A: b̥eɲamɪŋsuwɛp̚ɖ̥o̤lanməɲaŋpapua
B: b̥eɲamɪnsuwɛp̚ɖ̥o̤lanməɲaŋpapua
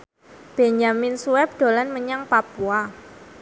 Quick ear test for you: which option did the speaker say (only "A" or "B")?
B